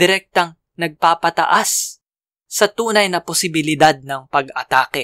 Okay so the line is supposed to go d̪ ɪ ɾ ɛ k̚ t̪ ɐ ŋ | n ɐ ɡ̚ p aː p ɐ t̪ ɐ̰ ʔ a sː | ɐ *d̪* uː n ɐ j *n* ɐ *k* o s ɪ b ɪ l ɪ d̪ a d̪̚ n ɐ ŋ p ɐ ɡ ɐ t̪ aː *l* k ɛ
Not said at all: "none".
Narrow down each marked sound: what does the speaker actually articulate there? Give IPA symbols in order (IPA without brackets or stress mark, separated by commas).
t̪, n, p, none